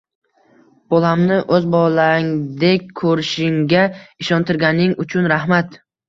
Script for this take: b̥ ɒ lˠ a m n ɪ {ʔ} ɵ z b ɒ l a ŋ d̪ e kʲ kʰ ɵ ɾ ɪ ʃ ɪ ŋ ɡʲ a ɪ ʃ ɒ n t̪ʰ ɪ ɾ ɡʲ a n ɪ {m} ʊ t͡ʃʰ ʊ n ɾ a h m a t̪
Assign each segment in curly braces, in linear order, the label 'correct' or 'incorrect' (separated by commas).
correct, incorrect